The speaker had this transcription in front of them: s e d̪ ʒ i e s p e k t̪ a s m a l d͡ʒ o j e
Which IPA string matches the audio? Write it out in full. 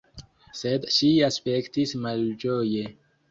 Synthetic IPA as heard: s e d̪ ʃ i a s p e k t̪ i s m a l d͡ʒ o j e